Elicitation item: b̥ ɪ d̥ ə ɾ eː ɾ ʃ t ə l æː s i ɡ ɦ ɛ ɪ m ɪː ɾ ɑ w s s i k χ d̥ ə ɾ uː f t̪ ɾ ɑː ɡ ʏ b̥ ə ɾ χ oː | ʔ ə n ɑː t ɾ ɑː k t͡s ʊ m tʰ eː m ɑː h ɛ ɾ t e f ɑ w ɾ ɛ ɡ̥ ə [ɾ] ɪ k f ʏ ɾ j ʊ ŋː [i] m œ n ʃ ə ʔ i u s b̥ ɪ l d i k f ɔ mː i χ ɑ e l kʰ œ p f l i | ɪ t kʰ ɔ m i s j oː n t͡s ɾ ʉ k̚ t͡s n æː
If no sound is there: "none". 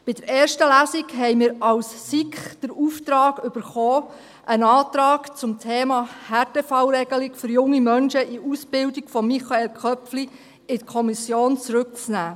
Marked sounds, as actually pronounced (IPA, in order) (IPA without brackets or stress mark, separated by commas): l, i